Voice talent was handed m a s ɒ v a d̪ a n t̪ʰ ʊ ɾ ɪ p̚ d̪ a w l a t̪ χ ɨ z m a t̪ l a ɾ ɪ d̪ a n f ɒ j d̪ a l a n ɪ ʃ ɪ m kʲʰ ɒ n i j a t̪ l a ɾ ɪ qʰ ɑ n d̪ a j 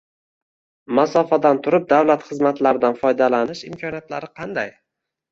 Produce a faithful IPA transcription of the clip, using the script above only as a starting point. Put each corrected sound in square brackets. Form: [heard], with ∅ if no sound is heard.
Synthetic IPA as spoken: m a s ɒ [f] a d̪ a n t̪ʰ ʊ ɾ ɪ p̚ d̪ a w l a t̪ χ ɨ z m a t̪ l a ɾ ɪ d̪ a n f ɒ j d̪ a l a n ɪ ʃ ɪ m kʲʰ ɒ n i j a t̪ l a ɾ ɪ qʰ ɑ n d̪ a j